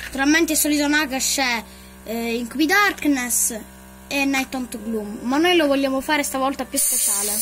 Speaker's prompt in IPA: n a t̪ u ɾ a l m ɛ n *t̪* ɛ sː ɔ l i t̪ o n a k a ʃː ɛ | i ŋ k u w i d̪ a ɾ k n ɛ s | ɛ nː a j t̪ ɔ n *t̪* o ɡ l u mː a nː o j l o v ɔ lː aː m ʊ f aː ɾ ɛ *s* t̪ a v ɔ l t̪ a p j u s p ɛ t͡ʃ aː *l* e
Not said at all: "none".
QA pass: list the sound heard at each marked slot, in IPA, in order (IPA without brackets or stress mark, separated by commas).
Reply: t̪, t̪, s, l